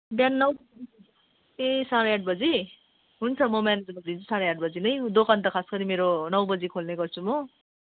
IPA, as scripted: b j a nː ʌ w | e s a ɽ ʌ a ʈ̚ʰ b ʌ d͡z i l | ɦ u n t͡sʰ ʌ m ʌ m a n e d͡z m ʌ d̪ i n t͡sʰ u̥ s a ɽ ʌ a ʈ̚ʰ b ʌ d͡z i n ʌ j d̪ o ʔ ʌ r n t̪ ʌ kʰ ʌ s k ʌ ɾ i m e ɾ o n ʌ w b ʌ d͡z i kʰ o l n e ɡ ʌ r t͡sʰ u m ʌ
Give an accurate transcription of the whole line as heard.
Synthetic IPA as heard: b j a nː ʌ w | e s a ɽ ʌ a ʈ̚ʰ b ʌ d͡z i | ɦ u n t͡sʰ ʌ m ʌ m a n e d͡z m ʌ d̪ i n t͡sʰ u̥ s a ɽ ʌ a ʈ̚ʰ b ʌ d͡z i n ʌ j d̪ o k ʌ n t̪ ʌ kʰ a s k ʌ ɾ i m e ɾ o n ʌ w b ʌ d͡z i kʰ o l n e ɡ ʌ r t͡sʰ u m ʌ

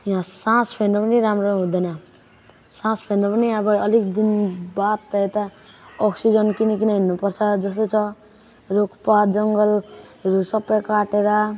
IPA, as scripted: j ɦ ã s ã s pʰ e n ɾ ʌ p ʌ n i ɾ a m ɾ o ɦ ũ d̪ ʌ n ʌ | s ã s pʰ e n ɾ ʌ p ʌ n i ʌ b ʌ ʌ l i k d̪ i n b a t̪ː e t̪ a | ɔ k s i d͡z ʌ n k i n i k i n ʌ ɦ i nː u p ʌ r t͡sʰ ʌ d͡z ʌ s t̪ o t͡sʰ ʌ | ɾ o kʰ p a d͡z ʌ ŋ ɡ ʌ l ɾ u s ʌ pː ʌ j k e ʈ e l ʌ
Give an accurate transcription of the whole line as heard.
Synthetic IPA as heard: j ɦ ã s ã s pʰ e n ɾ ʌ p ʌ n i ɾ a m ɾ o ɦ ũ d̪ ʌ n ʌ | s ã s pʰ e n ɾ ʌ p ʌ n i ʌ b ʌ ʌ l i k d̪ i n b a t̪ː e t̪ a | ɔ k s i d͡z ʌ n k i n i k i n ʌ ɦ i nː u p ʌ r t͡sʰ ʌ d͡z ʌ s t̪ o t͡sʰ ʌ | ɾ o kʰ p a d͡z ʌ ŋ ɡ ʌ l ɾ u s ʌ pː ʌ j k a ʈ e ɾ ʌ

